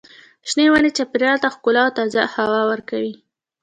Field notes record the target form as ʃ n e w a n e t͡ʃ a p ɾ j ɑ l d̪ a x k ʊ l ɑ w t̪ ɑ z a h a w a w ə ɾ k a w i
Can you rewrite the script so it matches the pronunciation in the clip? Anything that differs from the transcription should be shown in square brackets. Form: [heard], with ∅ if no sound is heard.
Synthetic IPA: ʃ n e w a n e t͡ʃ a p ɾ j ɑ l [t̪] a x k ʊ l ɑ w t̪ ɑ z a h a w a w ə ɾ k a w i